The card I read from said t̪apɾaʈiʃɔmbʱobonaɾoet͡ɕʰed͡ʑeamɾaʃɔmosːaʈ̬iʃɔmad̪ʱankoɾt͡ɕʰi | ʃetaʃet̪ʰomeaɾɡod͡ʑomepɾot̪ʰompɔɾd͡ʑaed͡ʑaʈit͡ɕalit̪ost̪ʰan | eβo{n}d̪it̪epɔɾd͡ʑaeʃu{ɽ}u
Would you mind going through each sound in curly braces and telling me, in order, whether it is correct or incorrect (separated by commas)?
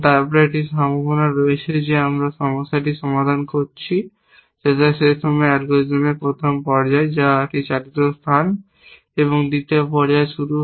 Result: incorrect, incorrect